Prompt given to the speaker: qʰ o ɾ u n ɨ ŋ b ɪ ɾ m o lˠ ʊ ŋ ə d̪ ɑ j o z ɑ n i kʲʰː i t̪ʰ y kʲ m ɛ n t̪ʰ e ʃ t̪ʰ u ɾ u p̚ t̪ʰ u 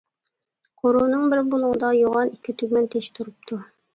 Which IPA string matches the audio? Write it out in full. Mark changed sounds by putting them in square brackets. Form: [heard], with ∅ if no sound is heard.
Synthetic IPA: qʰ o ɾ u n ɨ ŋ b ɪ ɾ [b] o lˠ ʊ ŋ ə d̪ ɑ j o [ʁ] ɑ n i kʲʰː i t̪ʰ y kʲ m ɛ n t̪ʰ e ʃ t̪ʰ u ɾ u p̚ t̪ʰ u